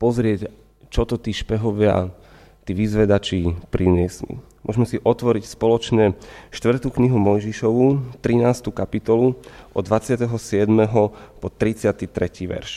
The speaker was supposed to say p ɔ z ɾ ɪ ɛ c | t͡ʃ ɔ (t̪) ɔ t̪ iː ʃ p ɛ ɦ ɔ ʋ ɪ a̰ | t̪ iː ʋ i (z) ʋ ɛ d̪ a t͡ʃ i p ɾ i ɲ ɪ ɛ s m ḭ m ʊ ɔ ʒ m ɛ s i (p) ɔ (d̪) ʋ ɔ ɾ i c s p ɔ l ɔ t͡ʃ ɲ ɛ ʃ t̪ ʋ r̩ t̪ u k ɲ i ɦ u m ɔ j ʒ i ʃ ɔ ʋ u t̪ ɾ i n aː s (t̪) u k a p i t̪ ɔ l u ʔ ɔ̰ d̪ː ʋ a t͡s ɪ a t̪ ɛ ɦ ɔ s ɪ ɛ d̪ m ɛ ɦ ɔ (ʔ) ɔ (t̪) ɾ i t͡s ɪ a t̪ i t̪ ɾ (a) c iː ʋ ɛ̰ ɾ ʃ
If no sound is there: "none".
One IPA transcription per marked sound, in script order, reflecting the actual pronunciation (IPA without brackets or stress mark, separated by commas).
t̪, z, ʔ, t̪, t̪, p, t̪, ɛ